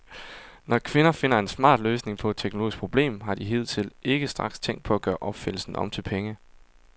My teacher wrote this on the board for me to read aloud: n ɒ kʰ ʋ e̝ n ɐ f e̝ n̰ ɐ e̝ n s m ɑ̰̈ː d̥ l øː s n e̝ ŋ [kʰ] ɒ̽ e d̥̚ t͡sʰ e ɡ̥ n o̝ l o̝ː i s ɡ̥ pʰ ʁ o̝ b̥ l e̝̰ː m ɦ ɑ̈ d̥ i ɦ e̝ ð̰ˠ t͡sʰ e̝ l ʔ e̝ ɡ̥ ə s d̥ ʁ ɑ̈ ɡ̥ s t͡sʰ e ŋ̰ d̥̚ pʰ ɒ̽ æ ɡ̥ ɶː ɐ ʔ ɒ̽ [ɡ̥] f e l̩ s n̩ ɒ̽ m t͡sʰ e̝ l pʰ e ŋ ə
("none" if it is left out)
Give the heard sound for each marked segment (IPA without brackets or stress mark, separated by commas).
pʰ, b̥